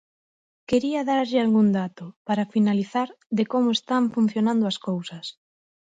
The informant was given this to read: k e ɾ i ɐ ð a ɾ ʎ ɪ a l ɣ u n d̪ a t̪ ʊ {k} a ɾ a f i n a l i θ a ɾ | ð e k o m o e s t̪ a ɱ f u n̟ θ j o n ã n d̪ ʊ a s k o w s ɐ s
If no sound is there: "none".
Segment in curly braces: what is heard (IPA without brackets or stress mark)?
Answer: p